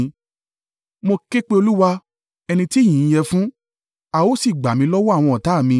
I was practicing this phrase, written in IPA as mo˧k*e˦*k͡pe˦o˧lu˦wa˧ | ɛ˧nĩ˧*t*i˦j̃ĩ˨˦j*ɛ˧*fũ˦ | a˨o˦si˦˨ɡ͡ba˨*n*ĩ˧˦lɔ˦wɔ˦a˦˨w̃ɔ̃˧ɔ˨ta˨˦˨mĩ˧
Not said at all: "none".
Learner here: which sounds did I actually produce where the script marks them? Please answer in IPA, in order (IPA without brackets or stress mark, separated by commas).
e˦, t, ɛ˧, m